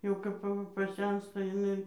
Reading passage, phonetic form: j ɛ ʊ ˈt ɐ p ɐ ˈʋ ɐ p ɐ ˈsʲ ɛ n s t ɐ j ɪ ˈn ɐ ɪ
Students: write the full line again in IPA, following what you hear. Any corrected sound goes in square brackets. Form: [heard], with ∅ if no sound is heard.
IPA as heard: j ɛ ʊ [ˈk] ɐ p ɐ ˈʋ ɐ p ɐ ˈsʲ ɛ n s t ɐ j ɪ ˈn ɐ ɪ